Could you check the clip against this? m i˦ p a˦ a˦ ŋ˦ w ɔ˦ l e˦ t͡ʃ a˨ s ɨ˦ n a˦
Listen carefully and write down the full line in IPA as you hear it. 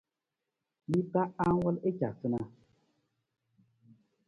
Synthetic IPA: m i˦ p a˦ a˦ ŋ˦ w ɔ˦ l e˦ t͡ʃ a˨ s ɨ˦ n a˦